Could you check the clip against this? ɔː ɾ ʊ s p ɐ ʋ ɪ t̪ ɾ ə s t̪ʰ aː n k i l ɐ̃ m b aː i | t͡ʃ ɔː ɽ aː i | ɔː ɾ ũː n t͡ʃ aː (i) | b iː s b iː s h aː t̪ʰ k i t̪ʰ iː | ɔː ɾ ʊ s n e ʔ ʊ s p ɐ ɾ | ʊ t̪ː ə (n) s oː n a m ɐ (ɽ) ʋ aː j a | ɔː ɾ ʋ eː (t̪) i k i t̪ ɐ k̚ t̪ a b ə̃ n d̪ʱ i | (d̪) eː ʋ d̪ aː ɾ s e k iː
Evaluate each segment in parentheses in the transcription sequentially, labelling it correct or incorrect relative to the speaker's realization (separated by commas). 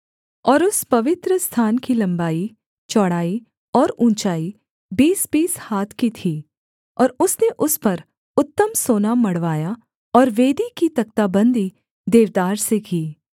correct, incorrect, correct, incorrect, correct